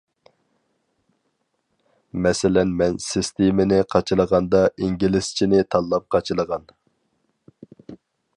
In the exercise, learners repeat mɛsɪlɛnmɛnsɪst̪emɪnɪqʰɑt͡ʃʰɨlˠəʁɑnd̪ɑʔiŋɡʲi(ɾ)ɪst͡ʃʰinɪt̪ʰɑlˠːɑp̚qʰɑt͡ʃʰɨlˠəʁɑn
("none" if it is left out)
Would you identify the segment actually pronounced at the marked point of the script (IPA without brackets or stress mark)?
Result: l